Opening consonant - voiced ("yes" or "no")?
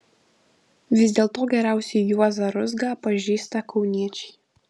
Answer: yes